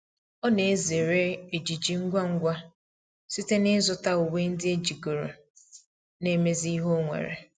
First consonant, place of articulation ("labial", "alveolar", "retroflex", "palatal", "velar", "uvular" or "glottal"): alveolar